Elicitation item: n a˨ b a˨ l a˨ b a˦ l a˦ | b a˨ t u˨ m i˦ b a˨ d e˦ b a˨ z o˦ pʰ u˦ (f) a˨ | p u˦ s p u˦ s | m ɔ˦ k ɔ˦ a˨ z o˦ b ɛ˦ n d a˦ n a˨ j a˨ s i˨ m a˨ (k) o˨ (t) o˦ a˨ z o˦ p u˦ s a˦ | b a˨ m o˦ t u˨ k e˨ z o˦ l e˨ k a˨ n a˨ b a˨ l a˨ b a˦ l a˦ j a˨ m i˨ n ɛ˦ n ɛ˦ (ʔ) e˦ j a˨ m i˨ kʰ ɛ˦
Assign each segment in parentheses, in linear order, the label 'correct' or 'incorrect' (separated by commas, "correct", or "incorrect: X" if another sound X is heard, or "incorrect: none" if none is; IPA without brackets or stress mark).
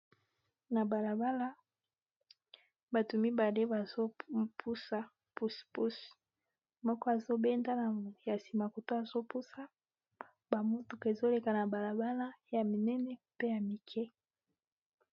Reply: incorrect: s, correct, correct, incorrect: p